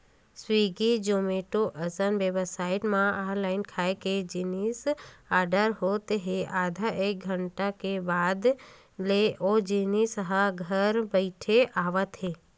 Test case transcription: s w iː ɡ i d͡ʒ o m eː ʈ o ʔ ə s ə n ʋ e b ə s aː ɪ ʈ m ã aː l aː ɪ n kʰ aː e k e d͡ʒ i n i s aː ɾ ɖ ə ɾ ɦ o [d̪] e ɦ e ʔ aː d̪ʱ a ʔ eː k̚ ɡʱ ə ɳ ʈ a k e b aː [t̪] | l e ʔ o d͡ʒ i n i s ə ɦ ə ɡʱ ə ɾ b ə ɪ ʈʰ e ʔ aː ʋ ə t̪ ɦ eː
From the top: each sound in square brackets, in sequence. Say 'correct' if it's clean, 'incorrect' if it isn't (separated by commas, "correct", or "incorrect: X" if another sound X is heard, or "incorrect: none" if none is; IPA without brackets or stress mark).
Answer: incorrect: t̪, incorrect: d̪